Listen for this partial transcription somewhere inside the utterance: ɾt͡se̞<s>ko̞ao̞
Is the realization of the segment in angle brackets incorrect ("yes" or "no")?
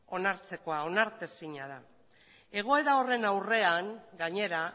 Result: yes